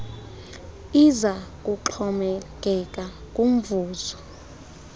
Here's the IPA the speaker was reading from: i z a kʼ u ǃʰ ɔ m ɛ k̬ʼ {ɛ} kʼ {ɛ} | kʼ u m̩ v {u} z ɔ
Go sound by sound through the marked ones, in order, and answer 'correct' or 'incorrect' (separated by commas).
correct, incorrect, incorrect